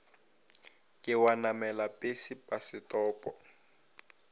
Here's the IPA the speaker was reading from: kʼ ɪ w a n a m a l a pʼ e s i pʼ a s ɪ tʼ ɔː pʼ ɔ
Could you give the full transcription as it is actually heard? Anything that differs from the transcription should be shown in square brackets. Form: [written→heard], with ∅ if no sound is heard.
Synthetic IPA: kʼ ɪ w a n a m [a→ɛ] l a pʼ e s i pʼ a s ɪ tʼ ɔː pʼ ɔ